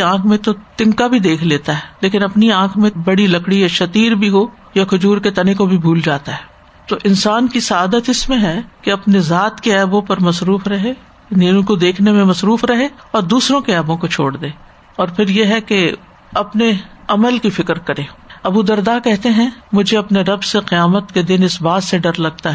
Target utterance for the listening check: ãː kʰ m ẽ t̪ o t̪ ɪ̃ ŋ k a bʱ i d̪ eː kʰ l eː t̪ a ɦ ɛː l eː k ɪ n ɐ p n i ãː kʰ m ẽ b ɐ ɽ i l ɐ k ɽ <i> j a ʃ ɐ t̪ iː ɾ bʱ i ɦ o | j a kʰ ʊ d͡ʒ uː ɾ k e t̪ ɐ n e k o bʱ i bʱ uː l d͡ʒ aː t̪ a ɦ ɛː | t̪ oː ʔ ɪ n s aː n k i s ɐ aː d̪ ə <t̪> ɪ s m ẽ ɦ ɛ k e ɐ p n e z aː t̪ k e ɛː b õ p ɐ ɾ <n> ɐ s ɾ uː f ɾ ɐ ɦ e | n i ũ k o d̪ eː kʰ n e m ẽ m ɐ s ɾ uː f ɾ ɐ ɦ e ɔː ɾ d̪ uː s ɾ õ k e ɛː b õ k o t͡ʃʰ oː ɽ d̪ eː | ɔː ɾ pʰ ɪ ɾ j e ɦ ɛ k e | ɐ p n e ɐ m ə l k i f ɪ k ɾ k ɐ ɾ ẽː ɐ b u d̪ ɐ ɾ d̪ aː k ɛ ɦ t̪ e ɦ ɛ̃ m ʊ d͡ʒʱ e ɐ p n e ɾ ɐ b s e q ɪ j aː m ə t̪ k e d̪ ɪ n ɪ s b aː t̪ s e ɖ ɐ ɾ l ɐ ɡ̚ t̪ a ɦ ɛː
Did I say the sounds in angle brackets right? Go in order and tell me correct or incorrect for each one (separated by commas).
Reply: correct, correct, incorrect